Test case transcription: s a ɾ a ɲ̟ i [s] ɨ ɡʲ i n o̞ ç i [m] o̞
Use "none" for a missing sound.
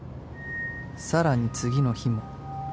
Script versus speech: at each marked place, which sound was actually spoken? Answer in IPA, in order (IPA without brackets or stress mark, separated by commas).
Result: t͡s, m